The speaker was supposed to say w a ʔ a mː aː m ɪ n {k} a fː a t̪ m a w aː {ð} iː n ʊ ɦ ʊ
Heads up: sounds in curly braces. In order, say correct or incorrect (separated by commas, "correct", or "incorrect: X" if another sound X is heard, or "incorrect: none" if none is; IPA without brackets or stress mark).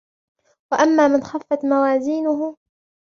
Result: incorrect: x, incorrect: z